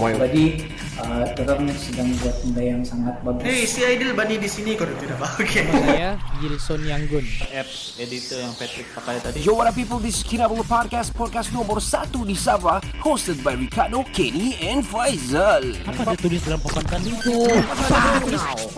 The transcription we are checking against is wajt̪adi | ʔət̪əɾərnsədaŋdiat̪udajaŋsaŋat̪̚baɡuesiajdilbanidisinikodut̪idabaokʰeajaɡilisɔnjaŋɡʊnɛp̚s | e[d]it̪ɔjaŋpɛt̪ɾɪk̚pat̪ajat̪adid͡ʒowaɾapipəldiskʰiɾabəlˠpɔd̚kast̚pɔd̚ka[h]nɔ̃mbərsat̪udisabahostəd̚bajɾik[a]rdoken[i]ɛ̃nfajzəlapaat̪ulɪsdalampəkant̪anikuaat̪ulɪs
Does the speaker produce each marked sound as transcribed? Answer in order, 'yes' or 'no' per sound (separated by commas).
yes, no, yes, yes